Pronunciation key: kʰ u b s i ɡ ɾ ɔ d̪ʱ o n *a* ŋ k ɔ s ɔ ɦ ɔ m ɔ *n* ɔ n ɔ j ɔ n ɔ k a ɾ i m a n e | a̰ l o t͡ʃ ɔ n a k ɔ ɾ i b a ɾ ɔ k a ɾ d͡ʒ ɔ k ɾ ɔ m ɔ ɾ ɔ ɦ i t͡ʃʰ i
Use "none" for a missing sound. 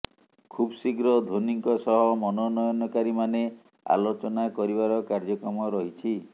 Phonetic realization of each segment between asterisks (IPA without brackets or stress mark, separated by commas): i, n